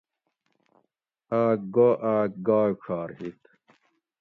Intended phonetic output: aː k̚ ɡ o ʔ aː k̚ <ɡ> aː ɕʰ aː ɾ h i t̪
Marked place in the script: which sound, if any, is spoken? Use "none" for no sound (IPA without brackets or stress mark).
ɡ